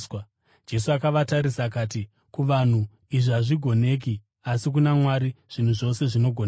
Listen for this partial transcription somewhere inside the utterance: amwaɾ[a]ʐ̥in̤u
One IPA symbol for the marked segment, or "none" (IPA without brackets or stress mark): i